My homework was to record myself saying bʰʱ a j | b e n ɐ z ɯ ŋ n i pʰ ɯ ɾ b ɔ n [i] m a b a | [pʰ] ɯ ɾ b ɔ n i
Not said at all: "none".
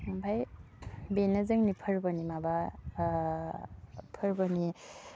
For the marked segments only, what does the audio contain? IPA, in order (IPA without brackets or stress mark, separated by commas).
i, pʰ